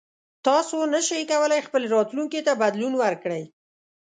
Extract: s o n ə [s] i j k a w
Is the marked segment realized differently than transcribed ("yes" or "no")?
yes